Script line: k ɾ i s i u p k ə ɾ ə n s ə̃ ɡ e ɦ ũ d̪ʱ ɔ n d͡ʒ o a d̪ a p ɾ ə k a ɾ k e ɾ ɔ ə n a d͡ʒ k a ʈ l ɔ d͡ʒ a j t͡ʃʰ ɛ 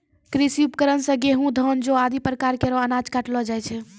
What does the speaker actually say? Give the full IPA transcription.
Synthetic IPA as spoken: k ɾ i s i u p k ə ɾ ə n s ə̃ ɡ e ɦ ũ d̪ʱ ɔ n d͡ʒ o a d̪ i p ɾ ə k a ɾ k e ɾ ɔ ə n a d͡ʒ k a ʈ l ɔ d͡ʒ a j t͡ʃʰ ɛ

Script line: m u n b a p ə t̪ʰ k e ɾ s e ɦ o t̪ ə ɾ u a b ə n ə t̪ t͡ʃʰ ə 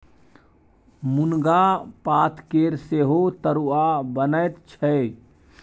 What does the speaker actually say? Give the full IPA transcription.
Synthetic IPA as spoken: m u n ɡ a p a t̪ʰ k e ɾ s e ɦ o t̪ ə ɾ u a b ə n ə t̪ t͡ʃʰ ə

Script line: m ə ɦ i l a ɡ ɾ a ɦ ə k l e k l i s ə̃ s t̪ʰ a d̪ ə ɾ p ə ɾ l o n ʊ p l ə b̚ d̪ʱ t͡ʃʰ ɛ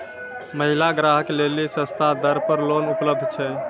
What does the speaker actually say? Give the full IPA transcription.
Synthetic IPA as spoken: m ə ɦ i l a ɡ ɾ a ɦ ə k l e l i s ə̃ s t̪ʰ a d̪ ə ɾ p ə ɾ l o n u p l ə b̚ d̪ʱ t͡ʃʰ ɛ

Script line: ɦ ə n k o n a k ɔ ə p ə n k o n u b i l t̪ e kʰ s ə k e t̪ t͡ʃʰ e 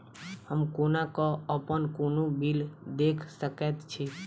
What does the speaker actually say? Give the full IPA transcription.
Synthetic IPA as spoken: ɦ ə m k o n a k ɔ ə p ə n k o n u b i l d̪ e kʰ s ə k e t̪ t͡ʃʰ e

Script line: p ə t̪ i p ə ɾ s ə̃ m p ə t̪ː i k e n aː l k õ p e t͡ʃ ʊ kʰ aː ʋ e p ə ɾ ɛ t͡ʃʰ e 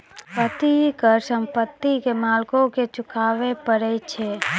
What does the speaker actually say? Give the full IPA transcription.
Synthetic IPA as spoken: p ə t̪ i k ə ɾ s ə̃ m p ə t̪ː i k e m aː l k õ k e t͡ʃ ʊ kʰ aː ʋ e p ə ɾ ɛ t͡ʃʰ e

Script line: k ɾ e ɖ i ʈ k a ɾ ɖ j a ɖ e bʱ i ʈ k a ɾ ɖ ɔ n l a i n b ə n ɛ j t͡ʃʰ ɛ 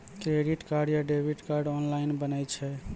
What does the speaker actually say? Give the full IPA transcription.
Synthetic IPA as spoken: k ɾ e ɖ i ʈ k a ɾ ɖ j a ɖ e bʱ i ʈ k a ɾ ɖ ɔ n l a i n b ə n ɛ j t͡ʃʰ ɛ

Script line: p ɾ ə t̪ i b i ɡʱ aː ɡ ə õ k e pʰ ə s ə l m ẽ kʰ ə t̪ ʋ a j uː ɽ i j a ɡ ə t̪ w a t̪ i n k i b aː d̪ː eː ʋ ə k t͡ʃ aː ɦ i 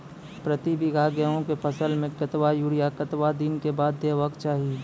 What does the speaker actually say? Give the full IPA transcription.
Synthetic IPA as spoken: p ɾ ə t̪ i b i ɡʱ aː ɡ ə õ k e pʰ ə s ə l m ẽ k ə t̪ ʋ a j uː ɽ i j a k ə t̪ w a d̪ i n k e b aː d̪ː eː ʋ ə k t͡ʃ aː ɦ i

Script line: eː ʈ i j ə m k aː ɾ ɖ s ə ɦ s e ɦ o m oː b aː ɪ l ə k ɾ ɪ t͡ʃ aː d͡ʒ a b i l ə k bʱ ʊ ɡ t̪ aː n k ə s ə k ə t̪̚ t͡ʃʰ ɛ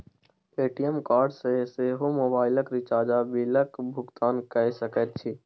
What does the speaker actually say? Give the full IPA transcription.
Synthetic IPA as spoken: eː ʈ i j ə m k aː ɾ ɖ s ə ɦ s e ɦ o m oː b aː ɪ l ə k ɾ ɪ t͡ʃ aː d͡ʒ a b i l ə k bʱ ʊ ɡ t̪ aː n k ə s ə k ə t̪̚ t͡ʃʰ i

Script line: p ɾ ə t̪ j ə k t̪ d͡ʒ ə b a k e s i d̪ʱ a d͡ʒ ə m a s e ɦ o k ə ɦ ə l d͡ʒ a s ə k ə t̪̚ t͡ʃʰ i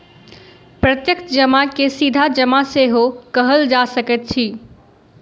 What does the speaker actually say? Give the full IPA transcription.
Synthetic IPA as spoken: p ɾ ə t̪ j ə k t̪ d͡ʒ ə m a k e s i d̪ʱ a d͡ʒ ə m a s e ɦ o k ə ɦ ə l d͡ʒ a s ə k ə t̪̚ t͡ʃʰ i

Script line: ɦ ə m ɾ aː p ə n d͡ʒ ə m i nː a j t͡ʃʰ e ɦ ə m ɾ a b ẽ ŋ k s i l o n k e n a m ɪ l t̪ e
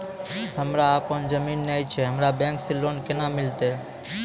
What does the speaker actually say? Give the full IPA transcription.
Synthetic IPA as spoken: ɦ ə m ɾ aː p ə n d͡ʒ ə m i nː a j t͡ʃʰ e ɦ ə m ɾ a b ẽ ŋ k s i l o n k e n a m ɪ l t̪ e

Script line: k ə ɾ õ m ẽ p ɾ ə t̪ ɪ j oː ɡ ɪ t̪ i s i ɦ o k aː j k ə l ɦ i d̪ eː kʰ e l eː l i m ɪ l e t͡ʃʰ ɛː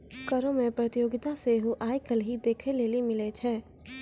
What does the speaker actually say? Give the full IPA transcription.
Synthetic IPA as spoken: k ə ɾ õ m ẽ p ɾ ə t̪ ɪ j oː ɡ ɪ t̪ a s e ɦ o ʔ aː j k ə l ɦ i d̪ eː kʰ e l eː l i m ɪ l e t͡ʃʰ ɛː

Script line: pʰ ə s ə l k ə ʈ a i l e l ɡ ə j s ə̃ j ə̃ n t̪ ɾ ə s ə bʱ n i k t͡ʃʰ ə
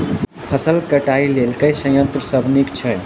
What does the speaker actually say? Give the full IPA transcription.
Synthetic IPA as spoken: pʰ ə s ə l k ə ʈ a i l e l k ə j s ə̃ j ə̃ n t̪ ɾ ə s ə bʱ n i k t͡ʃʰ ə

